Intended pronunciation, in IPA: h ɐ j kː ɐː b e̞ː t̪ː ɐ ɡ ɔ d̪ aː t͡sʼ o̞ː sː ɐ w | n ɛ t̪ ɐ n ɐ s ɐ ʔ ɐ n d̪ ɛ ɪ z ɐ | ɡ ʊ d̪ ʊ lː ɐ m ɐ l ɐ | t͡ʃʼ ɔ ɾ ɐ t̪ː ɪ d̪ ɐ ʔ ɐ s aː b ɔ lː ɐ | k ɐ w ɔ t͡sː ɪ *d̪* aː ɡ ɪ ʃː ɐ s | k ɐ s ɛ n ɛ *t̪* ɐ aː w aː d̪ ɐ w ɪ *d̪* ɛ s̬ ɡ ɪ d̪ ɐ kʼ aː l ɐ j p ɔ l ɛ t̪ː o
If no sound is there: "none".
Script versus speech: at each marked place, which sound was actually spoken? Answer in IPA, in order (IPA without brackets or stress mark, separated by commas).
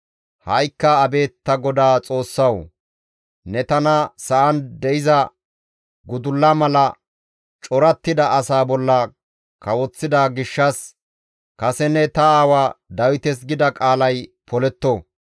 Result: d̪, t̪, t̪